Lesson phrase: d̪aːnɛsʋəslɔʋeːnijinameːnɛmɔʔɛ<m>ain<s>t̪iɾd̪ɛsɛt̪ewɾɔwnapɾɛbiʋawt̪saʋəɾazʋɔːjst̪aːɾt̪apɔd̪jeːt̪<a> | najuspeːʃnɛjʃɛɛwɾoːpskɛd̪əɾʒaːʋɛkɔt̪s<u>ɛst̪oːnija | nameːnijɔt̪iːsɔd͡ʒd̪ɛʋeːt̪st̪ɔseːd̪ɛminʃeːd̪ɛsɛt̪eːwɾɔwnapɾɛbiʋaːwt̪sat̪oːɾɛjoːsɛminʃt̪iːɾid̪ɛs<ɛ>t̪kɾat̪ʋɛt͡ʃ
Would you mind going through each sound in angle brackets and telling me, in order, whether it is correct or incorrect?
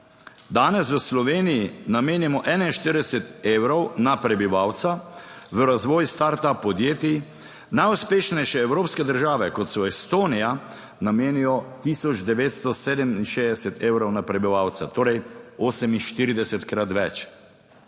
incorrect: n, incorrect: ʃ, incorrect: i, incorrect: ɔ, correct

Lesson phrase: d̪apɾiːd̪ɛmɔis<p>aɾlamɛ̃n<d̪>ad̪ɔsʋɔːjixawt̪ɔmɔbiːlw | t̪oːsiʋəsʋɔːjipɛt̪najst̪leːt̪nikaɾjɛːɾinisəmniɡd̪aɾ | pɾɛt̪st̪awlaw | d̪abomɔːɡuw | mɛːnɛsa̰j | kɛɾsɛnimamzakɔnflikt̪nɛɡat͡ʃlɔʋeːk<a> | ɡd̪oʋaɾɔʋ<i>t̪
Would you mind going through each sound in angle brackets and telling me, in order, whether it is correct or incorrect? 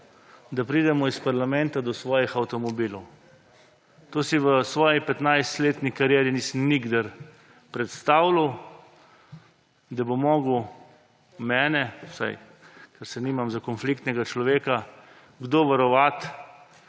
correct, incorrect: t̪, correct, incorrect: a

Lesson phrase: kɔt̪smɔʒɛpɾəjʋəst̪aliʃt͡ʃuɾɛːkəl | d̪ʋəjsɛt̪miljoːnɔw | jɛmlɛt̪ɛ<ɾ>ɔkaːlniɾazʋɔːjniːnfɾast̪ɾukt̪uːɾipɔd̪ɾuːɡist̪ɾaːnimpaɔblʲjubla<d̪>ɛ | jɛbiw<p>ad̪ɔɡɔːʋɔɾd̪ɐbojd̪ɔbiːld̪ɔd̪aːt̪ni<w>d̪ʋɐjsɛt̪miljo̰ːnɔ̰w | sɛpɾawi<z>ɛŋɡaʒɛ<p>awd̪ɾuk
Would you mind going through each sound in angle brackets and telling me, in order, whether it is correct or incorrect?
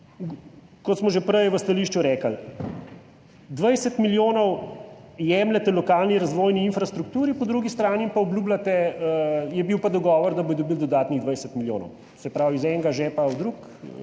incorrect: l, incorrect: t̪, correct, incorrect: ɣ, correct, correct

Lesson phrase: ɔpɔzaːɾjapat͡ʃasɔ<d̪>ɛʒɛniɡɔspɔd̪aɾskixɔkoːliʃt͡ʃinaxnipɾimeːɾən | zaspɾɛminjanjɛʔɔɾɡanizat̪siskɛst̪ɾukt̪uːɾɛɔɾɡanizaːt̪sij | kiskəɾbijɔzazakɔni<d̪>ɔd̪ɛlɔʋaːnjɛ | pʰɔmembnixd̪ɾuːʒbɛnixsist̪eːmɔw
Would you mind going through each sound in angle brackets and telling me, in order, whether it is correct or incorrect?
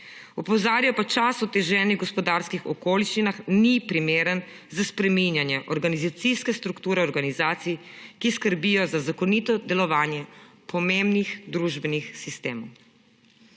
incorrect: t̪, incorrect: t̪

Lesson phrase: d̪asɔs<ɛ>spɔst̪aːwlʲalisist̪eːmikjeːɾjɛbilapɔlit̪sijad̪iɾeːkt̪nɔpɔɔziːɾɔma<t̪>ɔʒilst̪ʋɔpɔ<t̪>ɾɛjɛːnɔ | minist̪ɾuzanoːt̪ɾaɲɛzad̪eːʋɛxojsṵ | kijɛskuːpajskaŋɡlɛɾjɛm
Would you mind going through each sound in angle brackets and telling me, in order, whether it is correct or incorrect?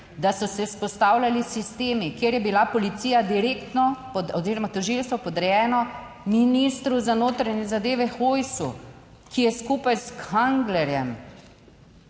correct, correct, incorrect: d̪

